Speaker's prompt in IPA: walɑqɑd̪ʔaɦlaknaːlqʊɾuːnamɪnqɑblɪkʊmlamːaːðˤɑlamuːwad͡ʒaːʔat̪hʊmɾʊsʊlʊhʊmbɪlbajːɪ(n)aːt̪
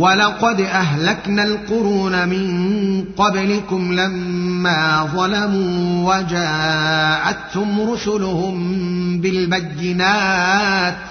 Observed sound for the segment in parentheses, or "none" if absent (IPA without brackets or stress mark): n